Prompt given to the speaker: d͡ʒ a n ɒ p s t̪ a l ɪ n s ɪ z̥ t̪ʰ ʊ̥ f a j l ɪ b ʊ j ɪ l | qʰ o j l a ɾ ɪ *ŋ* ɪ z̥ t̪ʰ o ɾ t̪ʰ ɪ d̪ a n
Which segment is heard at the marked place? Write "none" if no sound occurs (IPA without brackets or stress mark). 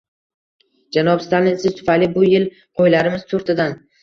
m